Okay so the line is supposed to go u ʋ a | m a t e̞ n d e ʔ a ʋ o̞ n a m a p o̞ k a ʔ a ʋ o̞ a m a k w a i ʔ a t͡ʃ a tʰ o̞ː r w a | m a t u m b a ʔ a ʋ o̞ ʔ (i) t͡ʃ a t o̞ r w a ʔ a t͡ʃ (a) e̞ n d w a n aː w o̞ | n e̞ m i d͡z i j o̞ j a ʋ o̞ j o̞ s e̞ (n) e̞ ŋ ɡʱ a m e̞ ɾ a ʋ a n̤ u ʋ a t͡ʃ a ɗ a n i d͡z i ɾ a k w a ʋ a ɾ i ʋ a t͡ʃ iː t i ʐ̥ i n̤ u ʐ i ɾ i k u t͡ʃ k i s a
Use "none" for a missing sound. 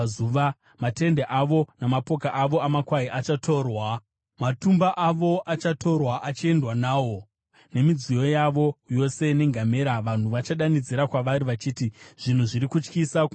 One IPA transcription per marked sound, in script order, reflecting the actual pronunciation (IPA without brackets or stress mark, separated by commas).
a, i, n